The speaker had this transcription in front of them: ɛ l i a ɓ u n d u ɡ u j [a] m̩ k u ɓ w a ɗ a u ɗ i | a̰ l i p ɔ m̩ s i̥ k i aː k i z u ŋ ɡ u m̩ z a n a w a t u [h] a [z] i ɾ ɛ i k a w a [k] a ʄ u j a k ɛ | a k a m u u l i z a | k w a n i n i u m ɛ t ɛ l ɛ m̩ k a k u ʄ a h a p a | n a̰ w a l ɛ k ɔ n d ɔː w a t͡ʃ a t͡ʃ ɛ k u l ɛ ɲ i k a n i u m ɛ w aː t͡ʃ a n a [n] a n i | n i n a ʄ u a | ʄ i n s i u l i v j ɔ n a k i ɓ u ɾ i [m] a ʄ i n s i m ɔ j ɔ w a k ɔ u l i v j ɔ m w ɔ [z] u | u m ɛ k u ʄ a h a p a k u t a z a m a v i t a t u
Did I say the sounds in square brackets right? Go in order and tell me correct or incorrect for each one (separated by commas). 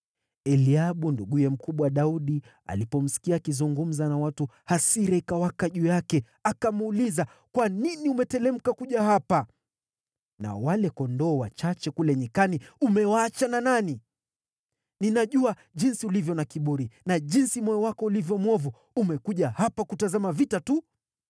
incorrect, correct, incorrect, correct, correct, incorrect, incorrect